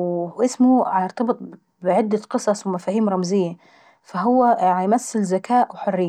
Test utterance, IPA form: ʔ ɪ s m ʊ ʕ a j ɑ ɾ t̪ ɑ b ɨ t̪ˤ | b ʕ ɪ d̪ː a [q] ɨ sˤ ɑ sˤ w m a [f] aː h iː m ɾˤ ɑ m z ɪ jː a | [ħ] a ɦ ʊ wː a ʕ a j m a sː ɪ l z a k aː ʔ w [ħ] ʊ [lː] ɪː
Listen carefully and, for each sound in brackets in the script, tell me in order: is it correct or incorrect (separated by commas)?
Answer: correct, correct, incorrect, correct, incorrect